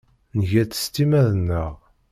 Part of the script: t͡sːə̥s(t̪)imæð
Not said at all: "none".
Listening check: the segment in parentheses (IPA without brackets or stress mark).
t̪